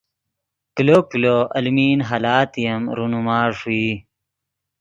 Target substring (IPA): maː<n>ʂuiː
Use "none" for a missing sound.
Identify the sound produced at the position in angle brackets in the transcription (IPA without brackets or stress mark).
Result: none